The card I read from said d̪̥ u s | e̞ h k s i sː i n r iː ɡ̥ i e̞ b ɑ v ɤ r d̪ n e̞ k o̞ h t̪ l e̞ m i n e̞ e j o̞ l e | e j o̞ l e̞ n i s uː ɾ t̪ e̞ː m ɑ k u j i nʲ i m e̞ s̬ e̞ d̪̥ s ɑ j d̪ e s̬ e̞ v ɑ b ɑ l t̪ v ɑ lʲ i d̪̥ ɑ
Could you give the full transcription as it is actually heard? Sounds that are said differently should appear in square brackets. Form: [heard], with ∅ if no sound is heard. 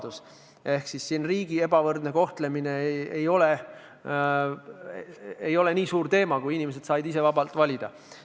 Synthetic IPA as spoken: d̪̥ u s | e̞ h k s i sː i n r iː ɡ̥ i e̞ b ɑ v ɤ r d̪ n e̞ k o̞ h t̪ l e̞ m i n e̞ e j o̞ l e | e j o̞ l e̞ n [iː] s uː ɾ t̪ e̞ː m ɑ k u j i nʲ i m e̞ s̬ e̞ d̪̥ s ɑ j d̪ [i] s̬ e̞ v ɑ b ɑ l t̪ v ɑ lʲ i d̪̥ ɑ